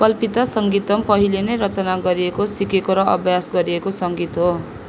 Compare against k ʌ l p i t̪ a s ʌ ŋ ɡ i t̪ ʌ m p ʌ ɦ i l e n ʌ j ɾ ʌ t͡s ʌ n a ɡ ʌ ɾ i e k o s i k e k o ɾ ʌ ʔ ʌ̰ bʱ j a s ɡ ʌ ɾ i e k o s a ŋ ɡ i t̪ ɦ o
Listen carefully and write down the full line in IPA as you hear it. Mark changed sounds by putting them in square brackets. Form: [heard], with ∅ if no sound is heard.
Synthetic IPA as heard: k ʌ l p i t̪ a s ʌ ŋ ɡ i t̪ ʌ m p ʌ ɦ i l e n ʌ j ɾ ʌ t͡s ʌ n a ɡ ʌ ɾ i e k o s i k e k o ɾ ʌ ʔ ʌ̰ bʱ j a s ɡ ʌ ɾ i e k o s [ʌ] ŋ ɡ i t̪ ɦ o